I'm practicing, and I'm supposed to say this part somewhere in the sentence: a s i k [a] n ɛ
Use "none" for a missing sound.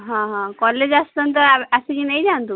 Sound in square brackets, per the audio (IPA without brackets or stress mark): i